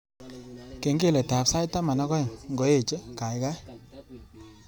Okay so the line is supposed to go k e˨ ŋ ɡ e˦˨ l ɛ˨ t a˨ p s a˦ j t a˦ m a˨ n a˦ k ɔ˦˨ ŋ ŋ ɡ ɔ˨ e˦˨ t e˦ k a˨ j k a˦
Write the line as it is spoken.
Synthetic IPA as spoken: k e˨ ŋ ɡ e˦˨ l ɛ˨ t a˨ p s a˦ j t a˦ m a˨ n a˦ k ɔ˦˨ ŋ ŋ ɡ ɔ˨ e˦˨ t͡ʃ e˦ k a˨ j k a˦